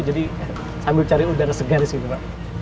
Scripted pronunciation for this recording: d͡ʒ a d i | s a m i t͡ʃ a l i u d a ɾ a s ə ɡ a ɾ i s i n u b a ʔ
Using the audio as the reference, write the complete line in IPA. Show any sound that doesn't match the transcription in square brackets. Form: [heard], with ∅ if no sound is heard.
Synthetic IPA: d͡ʒ a d i | s a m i t͡ʃ a [ɾ] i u d a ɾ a s ə ɡ a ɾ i s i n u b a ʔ